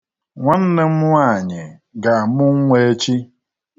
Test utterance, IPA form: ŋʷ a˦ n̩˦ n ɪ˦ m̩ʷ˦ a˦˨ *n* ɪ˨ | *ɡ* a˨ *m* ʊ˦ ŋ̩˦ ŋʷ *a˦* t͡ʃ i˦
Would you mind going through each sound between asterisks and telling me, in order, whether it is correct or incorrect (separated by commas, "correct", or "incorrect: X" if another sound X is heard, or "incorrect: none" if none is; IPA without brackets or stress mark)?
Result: incorrect: ɲ, correct, correct, incorrect: e˦